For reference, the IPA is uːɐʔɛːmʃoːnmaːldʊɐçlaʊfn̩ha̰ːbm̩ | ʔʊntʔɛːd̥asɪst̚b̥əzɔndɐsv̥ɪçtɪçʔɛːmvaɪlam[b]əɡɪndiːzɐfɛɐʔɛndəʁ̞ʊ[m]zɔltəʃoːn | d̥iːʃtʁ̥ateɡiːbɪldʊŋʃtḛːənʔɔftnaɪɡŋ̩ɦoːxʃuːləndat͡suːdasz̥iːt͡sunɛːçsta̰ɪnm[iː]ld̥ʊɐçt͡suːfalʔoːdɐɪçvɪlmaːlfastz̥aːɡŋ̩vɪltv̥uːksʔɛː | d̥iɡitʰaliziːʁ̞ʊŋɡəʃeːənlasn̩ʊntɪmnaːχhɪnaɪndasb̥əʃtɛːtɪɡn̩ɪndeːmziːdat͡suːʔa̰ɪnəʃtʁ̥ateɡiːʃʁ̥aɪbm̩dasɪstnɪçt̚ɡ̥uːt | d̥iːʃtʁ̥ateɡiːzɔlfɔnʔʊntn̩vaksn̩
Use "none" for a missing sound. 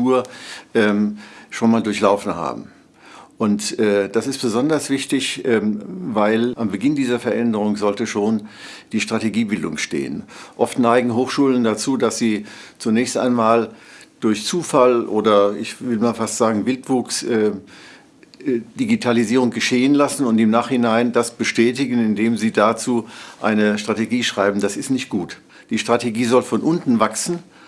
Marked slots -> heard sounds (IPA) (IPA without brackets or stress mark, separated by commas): b, ŋ, aː